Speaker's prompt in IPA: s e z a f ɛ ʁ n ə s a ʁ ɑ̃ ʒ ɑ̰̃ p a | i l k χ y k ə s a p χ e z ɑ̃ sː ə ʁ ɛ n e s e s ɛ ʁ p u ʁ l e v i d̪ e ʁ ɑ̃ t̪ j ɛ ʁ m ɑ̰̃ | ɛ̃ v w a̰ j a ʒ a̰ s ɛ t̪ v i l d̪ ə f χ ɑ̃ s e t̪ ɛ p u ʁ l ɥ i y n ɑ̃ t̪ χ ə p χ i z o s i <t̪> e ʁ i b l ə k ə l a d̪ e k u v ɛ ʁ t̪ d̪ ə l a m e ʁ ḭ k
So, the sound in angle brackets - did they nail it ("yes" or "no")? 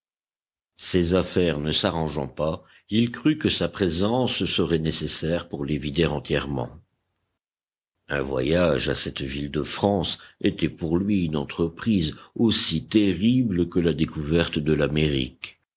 yes